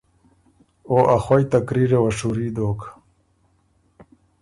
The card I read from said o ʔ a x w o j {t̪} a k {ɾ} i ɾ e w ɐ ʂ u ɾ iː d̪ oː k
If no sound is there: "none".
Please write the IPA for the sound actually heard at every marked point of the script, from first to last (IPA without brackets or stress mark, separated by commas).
t̪, ɾ